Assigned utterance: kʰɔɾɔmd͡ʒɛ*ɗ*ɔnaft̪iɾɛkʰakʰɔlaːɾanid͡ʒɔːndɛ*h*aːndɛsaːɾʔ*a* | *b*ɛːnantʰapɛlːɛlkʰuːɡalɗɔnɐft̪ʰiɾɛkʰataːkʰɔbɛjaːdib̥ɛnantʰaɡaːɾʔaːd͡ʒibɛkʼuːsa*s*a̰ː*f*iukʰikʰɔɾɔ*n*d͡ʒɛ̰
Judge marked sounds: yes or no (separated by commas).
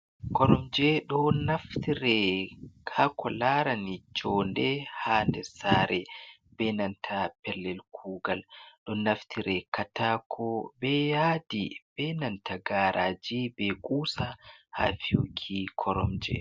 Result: yes, yes, no, yes, no, yes, no